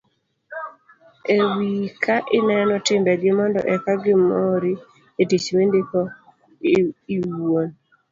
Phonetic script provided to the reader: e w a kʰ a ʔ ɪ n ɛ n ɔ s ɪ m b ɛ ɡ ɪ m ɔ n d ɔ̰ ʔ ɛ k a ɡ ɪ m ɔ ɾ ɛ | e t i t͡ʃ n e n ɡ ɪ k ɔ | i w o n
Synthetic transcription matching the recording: e w i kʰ a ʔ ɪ n ɛ n ɔ t ɪ m b ɛ ɡ ɪ m ɔ n d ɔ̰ ʔ ɛ k a ɡ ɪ m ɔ ɾ i | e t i t͡ʃ m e n d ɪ k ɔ | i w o n